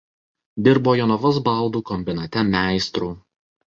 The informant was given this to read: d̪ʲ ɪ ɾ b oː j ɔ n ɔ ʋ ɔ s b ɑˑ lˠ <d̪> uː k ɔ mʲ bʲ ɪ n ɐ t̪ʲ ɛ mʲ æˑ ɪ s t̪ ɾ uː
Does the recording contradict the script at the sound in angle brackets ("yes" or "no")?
no